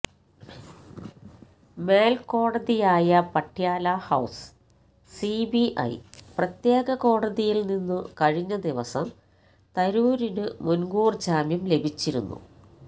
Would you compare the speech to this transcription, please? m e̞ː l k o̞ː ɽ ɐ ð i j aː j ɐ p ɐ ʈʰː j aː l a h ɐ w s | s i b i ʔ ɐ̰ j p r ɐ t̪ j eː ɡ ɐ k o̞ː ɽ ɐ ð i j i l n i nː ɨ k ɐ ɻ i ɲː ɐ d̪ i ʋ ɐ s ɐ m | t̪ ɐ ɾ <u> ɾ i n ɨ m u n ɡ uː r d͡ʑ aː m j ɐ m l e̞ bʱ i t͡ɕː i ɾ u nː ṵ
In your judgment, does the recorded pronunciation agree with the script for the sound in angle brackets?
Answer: no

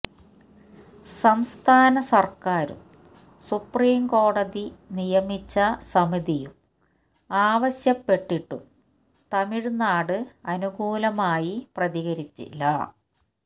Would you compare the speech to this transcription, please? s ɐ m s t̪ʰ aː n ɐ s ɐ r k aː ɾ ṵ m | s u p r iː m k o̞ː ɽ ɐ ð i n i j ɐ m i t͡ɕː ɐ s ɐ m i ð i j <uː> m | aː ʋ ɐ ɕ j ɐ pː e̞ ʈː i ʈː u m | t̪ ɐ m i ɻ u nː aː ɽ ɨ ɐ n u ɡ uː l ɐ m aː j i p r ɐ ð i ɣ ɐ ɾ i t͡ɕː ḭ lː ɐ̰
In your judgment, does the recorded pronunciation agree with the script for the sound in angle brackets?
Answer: no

